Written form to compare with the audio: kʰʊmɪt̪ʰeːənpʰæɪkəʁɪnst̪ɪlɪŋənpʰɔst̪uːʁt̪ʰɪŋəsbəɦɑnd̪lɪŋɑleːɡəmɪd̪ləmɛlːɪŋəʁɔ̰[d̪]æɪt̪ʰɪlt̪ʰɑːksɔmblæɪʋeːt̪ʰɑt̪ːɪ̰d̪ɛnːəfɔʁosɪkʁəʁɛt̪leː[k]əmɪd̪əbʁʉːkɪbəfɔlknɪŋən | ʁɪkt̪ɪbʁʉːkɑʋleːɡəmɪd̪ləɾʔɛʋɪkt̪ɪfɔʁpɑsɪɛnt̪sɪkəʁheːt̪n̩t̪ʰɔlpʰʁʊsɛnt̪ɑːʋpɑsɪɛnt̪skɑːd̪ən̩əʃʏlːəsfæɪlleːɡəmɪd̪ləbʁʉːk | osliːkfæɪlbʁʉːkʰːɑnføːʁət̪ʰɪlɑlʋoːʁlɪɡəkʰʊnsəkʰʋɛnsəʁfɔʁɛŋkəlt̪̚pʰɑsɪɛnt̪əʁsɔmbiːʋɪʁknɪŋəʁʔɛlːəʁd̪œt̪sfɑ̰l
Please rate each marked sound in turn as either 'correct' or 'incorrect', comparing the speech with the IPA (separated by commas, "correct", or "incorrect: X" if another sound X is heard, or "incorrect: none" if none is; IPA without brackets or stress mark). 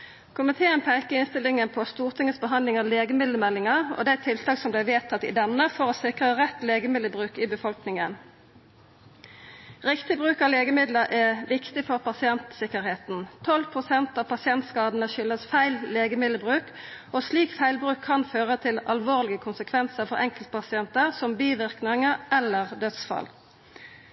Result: correct, incorrect: ɡ